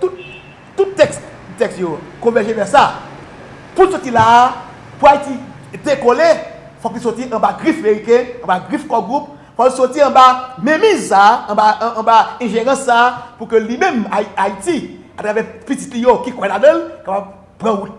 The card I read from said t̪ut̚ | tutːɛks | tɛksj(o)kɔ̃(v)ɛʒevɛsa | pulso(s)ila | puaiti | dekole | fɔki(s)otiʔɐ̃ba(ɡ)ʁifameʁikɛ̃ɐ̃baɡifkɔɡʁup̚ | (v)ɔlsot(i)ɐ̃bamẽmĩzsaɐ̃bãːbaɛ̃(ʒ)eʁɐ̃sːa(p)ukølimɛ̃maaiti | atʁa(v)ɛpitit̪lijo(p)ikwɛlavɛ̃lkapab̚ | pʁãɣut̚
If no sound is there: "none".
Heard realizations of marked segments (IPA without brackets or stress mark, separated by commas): o, v, t, s, ɡ, f, i, ʒ, p, v, k